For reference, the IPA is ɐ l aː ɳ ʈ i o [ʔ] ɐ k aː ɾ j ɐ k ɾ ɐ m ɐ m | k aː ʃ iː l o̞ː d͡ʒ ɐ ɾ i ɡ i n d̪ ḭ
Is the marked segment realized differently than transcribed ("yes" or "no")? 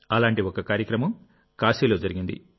yes